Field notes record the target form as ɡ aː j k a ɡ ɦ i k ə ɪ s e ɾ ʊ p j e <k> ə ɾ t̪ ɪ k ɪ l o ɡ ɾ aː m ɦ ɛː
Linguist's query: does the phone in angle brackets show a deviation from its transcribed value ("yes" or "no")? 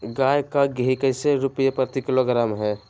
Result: yes